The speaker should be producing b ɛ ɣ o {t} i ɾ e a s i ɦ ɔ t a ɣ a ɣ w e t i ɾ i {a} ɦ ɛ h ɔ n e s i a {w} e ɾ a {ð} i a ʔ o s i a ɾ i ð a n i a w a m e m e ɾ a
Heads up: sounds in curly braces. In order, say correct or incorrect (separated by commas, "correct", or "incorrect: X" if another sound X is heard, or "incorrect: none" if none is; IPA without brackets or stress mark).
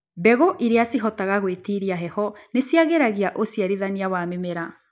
incorrect: ʔ, correct, incorrect: ɣ, incorrect: ɣ